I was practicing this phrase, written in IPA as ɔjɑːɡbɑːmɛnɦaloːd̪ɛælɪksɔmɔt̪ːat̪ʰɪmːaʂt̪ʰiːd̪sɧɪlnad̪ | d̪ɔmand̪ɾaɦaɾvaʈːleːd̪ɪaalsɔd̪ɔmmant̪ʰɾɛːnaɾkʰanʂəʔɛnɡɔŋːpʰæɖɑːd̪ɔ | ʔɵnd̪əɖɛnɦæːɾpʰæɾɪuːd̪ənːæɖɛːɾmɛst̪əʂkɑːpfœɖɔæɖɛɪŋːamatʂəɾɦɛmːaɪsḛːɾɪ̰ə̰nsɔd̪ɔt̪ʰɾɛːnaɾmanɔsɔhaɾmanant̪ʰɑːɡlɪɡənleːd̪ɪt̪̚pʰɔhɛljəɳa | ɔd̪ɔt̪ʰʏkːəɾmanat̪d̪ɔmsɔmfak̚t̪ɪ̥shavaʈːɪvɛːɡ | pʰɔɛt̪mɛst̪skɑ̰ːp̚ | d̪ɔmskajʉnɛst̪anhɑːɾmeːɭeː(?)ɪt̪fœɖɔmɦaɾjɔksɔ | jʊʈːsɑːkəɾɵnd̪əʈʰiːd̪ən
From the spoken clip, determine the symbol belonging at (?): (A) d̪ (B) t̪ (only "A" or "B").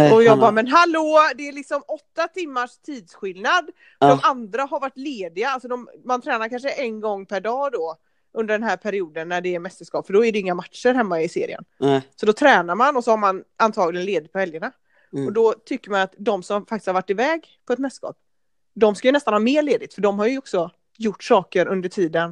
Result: A